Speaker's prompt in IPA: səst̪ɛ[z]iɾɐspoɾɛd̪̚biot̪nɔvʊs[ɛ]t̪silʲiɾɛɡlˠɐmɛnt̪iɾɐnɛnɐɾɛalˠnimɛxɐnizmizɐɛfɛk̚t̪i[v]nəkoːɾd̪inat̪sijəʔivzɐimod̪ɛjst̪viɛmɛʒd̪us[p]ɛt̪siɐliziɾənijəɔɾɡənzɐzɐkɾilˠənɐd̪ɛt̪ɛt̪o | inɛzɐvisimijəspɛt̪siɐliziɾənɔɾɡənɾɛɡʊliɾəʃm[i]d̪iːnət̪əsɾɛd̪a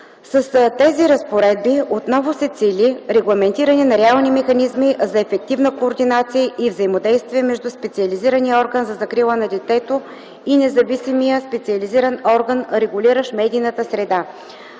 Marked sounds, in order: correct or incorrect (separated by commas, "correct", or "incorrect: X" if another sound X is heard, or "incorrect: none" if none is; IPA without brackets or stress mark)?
correct, correct, correct, correct, incorrect: ɛ